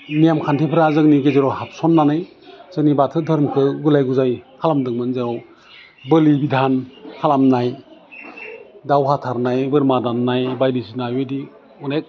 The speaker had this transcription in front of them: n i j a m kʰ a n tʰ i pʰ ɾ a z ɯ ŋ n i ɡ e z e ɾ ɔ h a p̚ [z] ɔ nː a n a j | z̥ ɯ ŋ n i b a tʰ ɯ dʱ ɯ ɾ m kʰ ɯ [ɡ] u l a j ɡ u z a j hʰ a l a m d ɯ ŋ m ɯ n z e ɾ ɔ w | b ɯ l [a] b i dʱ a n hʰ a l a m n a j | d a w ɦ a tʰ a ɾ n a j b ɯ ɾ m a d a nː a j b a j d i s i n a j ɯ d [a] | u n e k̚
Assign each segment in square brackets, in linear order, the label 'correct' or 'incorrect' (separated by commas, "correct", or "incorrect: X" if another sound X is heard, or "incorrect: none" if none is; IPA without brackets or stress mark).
incorrect: s, correct, incorrect: i, incorrect: i